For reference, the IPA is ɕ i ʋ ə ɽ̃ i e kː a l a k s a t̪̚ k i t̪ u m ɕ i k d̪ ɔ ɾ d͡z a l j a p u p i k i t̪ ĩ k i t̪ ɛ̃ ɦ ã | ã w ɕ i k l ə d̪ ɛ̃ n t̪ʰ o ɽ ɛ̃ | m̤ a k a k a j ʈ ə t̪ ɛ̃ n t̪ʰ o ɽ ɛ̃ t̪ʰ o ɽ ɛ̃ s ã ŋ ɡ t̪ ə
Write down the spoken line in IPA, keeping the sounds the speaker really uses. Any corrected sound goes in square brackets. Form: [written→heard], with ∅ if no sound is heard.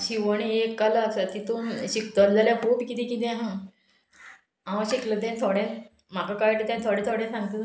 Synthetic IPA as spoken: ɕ i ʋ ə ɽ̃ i e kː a l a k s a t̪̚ k i t̪ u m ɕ i k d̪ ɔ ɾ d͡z a l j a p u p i k i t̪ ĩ k i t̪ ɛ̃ ɦ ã | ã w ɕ i k l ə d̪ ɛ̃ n t̪ʰ o ɽ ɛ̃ | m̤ a k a k a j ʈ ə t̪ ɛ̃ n t̪ʰ o ɽ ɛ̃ t̪ʰ o ɽ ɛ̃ s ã ŋ ɡ t̪ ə